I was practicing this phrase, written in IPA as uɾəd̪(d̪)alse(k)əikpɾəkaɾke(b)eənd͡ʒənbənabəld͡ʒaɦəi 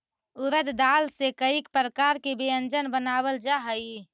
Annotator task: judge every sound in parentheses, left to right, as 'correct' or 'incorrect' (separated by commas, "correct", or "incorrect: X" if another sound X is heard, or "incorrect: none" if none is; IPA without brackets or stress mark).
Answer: correct, correct, correct